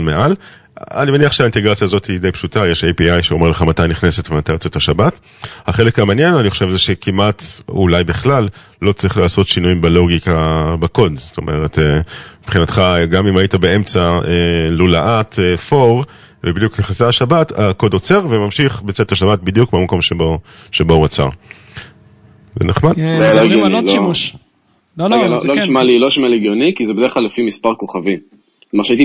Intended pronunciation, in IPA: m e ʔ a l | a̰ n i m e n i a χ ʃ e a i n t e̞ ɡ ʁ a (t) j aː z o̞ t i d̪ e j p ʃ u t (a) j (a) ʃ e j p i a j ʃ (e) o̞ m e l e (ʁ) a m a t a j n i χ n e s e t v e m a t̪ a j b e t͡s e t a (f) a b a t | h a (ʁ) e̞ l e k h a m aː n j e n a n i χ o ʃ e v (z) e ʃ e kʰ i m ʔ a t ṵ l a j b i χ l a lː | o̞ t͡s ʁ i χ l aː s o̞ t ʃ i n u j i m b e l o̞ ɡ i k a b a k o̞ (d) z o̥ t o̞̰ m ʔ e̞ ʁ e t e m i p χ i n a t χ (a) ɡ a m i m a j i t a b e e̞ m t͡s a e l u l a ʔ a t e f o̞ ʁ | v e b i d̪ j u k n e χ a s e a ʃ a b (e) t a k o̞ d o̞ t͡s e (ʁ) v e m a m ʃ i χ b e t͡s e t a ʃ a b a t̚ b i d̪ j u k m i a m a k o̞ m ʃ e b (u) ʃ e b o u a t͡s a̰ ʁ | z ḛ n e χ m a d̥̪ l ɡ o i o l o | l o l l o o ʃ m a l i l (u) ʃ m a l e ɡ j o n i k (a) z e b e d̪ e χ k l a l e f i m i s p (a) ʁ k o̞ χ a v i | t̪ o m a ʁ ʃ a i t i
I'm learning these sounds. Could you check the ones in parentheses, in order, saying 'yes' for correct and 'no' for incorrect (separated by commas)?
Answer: no, yes, no, yes, no, no, no, yes, yes, yes, no, yes, no, no, no, yes